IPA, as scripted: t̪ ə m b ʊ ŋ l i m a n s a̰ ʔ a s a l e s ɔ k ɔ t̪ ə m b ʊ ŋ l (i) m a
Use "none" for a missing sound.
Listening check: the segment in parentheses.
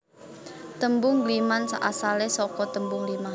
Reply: i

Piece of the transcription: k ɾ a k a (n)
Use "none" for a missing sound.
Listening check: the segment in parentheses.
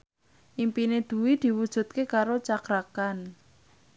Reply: n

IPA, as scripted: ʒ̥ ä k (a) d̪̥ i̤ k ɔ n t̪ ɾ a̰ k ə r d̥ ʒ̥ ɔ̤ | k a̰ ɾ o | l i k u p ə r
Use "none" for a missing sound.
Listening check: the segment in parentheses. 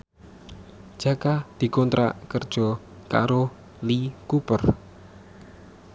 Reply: a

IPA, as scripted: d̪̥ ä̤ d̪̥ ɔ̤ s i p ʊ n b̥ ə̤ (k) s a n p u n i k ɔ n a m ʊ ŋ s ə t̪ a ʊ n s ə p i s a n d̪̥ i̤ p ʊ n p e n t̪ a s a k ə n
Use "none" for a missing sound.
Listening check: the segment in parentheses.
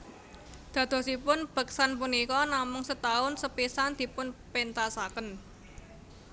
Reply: k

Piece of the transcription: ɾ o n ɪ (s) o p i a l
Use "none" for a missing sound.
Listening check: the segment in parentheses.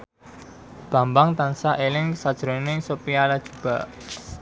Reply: s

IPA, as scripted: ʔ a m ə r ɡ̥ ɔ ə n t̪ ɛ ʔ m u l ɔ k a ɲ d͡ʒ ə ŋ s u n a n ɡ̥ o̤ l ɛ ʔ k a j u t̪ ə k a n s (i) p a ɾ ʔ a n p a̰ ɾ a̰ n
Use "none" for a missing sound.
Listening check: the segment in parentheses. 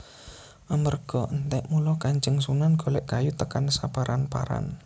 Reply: a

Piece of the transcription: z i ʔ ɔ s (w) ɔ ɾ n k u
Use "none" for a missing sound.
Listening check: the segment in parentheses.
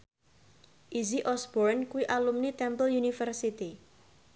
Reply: b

